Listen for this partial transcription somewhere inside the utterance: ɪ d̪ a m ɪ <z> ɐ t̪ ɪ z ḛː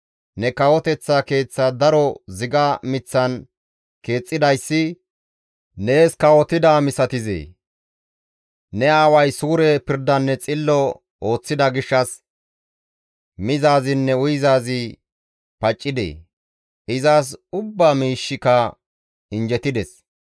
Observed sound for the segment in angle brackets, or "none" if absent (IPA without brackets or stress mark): s